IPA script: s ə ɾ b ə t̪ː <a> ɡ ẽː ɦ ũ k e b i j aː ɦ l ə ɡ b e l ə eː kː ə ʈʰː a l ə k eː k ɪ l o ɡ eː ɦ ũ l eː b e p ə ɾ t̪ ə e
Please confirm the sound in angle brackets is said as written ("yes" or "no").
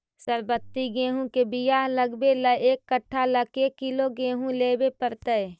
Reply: no